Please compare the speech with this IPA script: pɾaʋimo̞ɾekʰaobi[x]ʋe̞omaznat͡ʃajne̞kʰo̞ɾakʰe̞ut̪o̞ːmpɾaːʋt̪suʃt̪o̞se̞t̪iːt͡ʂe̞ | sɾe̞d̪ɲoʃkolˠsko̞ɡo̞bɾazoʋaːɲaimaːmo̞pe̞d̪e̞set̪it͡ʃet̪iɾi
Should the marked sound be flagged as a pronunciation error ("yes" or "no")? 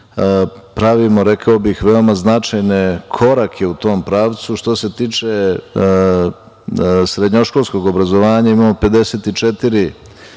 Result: no